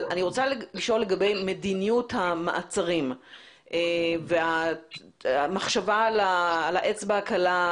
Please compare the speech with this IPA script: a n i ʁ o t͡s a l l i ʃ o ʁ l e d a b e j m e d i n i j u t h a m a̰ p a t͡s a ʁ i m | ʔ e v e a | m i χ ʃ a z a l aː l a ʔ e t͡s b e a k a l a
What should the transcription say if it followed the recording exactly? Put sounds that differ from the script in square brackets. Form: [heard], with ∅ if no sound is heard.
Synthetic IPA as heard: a n i ʁ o t͡s a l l i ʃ o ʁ l e [ɡ] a b e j m e d i n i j u t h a m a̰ [ʔ] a t͡s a ʁ i m | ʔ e v e a | m [a] χ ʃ a [v] a l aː l a ʔ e t͡s b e a k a l a